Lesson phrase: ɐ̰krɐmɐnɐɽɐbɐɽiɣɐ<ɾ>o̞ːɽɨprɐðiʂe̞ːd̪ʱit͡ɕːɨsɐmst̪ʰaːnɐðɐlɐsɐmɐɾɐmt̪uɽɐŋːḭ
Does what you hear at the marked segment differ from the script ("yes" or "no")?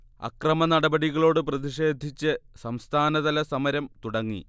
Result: yes